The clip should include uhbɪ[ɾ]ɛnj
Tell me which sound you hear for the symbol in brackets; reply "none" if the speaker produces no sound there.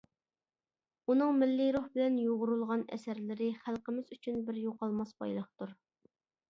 l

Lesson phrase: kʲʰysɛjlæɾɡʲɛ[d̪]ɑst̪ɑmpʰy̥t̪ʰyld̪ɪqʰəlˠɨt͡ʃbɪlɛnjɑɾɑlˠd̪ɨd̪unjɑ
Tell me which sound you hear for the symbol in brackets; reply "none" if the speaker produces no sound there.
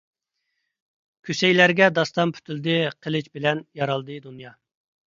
d̪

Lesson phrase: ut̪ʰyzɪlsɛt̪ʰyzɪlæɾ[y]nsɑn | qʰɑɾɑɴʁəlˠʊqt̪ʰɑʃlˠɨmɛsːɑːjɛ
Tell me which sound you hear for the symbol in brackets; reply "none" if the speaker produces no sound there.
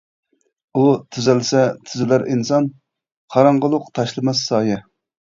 i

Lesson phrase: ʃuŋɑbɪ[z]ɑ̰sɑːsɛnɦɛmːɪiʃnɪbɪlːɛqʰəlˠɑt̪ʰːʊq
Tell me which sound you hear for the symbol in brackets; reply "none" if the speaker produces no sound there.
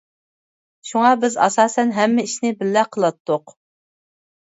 z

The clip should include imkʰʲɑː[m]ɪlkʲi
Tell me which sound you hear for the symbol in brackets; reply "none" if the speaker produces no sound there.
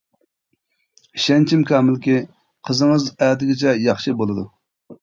m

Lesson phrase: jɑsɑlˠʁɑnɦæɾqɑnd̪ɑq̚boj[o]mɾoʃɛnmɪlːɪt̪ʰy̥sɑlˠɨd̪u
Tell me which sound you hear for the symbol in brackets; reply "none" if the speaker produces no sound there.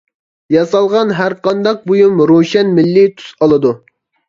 u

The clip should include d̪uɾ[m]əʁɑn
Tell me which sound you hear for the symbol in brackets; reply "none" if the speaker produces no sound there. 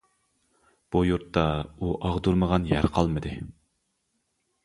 m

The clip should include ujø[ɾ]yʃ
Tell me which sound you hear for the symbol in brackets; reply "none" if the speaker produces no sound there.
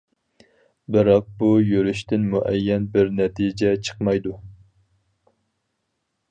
ɾ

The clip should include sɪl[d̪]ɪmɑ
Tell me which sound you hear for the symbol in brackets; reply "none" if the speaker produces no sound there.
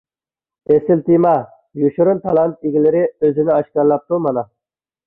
t̪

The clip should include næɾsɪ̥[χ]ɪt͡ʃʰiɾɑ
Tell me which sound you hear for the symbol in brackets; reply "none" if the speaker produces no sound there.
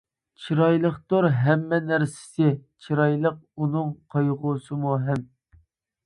s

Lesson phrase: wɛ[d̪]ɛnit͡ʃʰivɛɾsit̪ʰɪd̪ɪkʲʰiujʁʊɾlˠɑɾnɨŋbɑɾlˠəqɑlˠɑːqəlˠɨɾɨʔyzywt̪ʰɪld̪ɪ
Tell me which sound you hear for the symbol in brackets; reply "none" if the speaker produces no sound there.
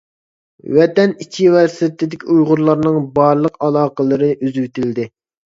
t̪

